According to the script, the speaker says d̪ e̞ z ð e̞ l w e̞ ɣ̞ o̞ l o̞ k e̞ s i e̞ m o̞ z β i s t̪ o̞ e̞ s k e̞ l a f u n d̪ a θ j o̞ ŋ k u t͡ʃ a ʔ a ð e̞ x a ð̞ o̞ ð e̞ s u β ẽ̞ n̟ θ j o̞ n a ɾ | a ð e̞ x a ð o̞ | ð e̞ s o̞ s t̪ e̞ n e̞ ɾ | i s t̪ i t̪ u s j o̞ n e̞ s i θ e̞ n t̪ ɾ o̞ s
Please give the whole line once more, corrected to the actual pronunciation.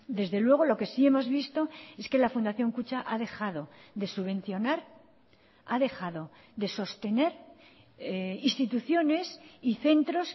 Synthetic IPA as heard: d̪ e̞ z ð e̞ l w e̞ ɣ̞ o̞ l o̞ k e̞ s i e̞ m o̞ z β i s t̪ o̞ e̞ s k e̞ l a f u n d̪ a θ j o̞ ŋ k u t͡ʃ a ʔ a ð e̞ x a ð̞ o̞ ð e̞ s u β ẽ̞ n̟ θ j o̞ n a ɾ | a ð e̞ x a ð o̞ | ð e̞ s o̞ s t̪ e̞ n e̞ ɾ | i s t̪ i t̪ u θ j o̞ n e̞ s i θ e̞ n t̪ ɾ o̞ s